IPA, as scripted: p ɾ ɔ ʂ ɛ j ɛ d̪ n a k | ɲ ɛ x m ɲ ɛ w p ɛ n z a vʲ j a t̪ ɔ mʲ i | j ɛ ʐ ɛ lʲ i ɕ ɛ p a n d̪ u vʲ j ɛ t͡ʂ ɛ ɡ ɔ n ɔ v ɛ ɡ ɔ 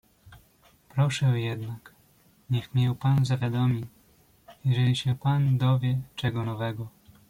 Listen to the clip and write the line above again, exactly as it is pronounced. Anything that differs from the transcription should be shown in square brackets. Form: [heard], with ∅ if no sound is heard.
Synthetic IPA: p ɾ ɔ ʂ ɛ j ɛ d̪ n a k | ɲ ɛ x m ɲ ɛ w p [a] n z a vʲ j a [d̪] ɔ mʲ i | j ɛ ʐ ɛ lʲ i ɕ ɛ p a n d̪ [ɔ] vʲ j ɛ t͡ʂ ɛ ɡ ɔ n ɔ v ɛ ɡ ɔ

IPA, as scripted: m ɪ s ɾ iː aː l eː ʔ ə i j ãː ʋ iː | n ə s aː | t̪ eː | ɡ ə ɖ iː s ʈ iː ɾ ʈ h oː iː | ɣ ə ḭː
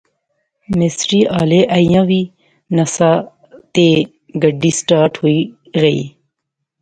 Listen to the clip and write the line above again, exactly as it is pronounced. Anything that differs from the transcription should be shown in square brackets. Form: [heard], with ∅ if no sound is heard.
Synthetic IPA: m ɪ s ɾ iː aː l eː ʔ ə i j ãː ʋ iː | n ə s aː | t̪ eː | ɡ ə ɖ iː s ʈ [aː] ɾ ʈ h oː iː | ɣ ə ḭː

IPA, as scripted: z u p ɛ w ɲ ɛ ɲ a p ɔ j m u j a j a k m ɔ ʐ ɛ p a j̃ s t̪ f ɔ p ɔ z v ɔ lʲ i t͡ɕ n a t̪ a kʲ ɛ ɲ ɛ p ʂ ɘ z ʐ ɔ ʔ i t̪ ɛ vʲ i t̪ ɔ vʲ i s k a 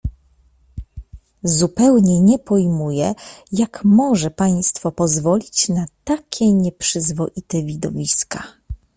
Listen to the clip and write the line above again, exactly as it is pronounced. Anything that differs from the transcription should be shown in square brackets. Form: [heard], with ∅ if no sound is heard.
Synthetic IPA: z u p ɛ w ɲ ɛ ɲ [ɛ] p ɔ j m u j [ɛ] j a k m ɔ ʐ ɛ p a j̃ s t̪ f ɔ p ɔ z v ɔ lʲ i t͡ɕ n a t̪ a kʲ ɛ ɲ ɛ p ʂ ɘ z [v] ɔ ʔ i t̪ ɛ vʲ i [d̪] ɔ vʲ i s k a

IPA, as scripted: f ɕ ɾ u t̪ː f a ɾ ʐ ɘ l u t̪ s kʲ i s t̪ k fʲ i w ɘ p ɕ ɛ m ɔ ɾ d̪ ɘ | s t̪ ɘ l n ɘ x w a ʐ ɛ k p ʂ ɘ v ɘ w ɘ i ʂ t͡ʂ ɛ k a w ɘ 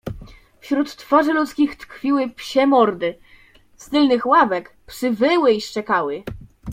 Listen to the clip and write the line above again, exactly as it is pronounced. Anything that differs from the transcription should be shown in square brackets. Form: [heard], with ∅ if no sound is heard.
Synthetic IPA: f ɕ ɾ u t̪ː f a [∅] ʐ ɘ l u t̪ s kʲ i [x] t̪ k fʲ i w ɘ p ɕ ɛ m ɔ ɾ d̪ ɘ | s t̪ ɘ l n ɘ x w a [v] ɛ k p ʂ ɘ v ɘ w ɘ i ʂ t͡ʂ ɛ k a w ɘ

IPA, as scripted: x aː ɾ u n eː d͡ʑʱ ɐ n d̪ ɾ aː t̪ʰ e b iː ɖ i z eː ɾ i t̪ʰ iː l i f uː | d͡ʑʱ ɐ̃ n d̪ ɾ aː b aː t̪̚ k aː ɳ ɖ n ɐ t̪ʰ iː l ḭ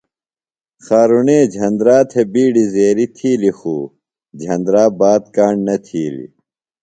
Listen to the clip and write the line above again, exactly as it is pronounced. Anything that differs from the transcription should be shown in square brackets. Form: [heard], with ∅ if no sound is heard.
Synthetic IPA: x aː ɾ u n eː d͡ʑʱ ɐ n d̪ ɾ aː t̪ʰ e b iː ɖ i z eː ɾ i t̪ʰ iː l i [x] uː | d͡ʑʱ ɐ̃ n d̪ ɾ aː b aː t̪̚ k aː ɳ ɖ n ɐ t̪ʰ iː l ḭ

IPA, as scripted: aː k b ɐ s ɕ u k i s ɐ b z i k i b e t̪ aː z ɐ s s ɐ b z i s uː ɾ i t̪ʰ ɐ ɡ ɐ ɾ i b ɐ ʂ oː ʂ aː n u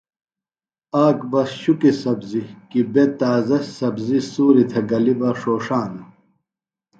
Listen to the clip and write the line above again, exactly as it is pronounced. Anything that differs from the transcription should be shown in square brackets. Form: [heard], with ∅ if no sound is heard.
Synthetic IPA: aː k b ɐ s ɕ u k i s ɐ b z i k i b e t̪ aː z ɐ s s ɐ b z i s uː ɾ i t̪ʰ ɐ ɡ ɐ [l] i b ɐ ʂ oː ʂ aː n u

